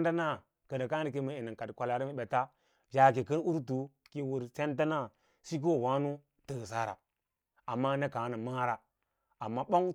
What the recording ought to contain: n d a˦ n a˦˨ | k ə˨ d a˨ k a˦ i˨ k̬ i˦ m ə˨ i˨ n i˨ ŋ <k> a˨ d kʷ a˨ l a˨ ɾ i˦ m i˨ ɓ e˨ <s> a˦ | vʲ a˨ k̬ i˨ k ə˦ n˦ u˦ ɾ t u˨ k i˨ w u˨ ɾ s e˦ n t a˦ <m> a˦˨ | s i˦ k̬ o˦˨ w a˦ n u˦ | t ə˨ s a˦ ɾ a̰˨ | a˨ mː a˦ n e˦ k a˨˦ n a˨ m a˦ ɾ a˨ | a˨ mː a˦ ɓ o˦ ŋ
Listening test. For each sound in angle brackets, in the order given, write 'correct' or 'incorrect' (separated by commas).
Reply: correct, incorrect, incorrect